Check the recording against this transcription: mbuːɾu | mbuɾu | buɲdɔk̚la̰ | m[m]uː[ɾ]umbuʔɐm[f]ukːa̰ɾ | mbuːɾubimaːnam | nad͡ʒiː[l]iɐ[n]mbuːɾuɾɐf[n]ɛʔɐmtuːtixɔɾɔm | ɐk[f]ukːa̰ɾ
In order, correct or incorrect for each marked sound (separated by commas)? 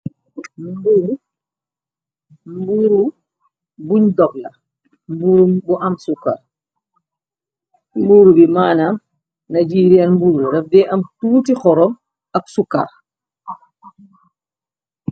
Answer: incorrect, correct, incorrect, incorrect, correct, incorrect, incorrect